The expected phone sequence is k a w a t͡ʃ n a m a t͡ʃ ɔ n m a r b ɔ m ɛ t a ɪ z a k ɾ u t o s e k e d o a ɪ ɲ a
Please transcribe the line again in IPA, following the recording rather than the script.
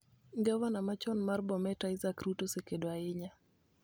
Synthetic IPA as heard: ɡ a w a n a m a t͡ʃ ɔ n m a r b ɔ m ɛ t a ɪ z a k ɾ u t o s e k e d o a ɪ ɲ a

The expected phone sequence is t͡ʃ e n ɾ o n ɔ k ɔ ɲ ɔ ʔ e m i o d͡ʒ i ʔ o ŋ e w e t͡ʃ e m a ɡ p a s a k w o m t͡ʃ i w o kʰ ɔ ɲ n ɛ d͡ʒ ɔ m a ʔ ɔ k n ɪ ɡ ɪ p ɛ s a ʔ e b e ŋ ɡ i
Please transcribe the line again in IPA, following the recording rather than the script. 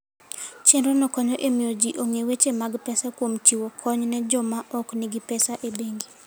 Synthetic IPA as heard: t͡ʃ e n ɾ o n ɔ k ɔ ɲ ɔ ʔ e m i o d͡ʒ i ʔ o ŋ e w e t͡ʃ e m a ɡ p ɛ s a k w o m t͡ʃ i w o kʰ ɔ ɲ n ɛ d͡ʒ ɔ m a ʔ ɔ k n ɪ ɡ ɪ p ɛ s a ʔ e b e ŋ ɡ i

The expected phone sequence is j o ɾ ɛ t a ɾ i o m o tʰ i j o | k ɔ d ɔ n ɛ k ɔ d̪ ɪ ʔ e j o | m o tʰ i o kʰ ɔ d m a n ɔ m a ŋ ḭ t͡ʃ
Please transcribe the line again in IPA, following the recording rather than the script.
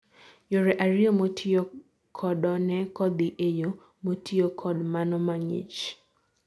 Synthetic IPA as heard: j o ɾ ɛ ʔ a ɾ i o m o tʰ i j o | kʰ ɔ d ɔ n ɛ k ɔ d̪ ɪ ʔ e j o | m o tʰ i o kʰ ɔ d m a n ɔ m a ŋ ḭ t͡ʃ

